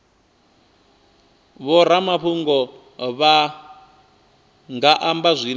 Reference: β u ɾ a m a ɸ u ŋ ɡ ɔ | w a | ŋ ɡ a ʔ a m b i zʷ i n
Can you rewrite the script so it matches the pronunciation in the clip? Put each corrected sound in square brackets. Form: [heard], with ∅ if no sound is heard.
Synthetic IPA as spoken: β [ɔ] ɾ a m a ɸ u ŋ ɡ ɔ | [β] a | ŋ ɡ a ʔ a m b [a] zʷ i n